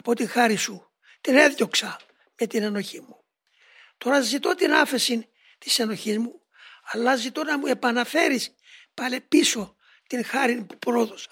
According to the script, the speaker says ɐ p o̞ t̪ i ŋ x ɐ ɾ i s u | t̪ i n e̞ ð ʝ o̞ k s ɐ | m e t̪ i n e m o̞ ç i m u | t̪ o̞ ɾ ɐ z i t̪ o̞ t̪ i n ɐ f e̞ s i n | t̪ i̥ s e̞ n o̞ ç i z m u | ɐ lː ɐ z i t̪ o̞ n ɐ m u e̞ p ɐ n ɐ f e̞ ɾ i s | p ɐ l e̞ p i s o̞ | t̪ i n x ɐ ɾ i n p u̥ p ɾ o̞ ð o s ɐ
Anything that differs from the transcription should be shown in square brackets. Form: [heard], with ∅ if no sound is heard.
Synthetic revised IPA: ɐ p o̞ t̪ i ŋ x ɐ ɾ i s u | t̪ i n e̞ ð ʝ o̞ k s ɐ | m e t̪ i n e [n] o̞ ç i m u | t̪ o̞ ɾ ɐ z i t̪ o̞ t̪ i n ɐ f e̞ s i n | t̪ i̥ s e̞ n o̞ ç i z m u | ɐ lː ɐ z i t̪ o̞ n ɐ m u e̞ p ɐ n ɐ f e̞ ɾ i s | p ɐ l e̞ p i s o̞ | t̪ i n x ɐ ɾ i n p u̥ p ɾ o̞ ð o s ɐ